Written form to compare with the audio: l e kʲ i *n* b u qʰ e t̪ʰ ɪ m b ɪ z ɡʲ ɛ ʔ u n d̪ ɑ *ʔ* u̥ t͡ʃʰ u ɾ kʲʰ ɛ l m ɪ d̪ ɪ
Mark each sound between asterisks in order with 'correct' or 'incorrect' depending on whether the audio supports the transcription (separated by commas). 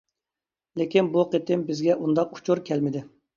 correct, incorrect